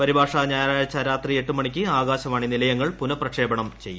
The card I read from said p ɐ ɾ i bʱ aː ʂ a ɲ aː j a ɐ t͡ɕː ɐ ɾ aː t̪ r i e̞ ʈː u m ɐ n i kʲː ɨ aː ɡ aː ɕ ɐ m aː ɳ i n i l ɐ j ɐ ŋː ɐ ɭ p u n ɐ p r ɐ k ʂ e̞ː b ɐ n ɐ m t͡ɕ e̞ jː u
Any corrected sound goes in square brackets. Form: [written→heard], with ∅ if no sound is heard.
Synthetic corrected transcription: p ɐ ɾ i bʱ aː ʂ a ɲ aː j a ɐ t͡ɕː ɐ ɾ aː t̪ r i e̞ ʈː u m ɐ [n→ɳ] i kʲː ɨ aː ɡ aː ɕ ɐ m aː ɳ i n i l ɐ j ɐ ŋː ɐ ɭ p u n ɐ p r ɐ k ʂ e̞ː b ɐ [n→ɳ] ɐ m t͡ɕ e̞ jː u

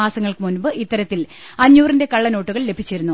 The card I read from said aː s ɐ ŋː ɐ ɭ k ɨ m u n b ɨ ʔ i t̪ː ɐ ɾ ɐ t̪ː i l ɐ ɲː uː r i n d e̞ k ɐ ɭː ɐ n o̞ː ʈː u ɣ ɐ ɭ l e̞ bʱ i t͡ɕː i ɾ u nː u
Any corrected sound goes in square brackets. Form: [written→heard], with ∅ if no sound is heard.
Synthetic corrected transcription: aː s ɐ ŋː ɐ ɭ k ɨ m u n b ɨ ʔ i t̪ː ɐ ɾ ɐ t̪ː i l ɐ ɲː uː r i n d e̞ k ɐ ɭː ɐ n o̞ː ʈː u ɣ ɐ ɭ l e̞ bʱ i t͡ɕː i ɾ u nː u

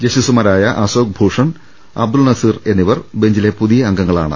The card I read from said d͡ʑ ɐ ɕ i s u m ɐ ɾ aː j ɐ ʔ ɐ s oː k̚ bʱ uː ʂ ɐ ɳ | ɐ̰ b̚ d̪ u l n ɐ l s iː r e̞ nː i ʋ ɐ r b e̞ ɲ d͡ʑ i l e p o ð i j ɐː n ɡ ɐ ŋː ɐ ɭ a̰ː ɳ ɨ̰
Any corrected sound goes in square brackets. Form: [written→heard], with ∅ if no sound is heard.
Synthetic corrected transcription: d͡ʑ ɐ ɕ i s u m ɐ ɾ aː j ɐ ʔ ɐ s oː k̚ bʱ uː ʂ ɐ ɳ | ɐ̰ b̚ d̪ u l n ɐ [l→∅] s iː r e̞ nː i ʋ ɐ r b e̞ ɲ d͡ʑ i l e p [o→u] ð i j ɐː [n→ŋ] ɡ ɐ ŋː ɐ ɭ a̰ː ɳ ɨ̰

